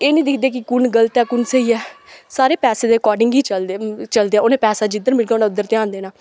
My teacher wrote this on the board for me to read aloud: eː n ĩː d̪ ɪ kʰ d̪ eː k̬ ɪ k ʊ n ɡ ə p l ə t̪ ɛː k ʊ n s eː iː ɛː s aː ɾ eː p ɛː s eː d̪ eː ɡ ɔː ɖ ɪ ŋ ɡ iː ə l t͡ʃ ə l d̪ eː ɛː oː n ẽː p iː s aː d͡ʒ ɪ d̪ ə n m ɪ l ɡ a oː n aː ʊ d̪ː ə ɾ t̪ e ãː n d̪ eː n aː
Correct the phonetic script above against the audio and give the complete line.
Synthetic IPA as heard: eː n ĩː d̪ ɪ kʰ d̪ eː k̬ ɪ k ʊ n ɡ ə l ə t̪ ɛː k ʊ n s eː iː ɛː s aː ɾ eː p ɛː s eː d̪ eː k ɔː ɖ ɪ ŋ ɡ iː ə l t͡ʃ ə l d̪ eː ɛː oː n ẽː p ɛː s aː d͡ʒ ɪ d̪ ə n m ɪ l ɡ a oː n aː ʊ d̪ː ə ɾ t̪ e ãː n d̪ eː n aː